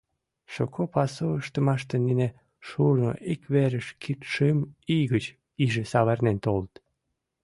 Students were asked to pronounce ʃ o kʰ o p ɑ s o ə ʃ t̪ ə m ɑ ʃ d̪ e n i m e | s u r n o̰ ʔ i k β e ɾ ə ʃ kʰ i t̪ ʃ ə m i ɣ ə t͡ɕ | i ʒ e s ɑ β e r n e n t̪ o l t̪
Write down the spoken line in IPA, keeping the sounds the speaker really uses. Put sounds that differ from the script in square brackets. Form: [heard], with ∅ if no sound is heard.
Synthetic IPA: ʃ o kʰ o p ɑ s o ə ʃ t̪ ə m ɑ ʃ [t̪] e n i [n] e | [ʃ] u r n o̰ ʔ i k β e ɾ ə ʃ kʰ i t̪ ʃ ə m i ɣ ə t͡ɕ | i ʒ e s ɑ β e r n e n t̪ o l t̪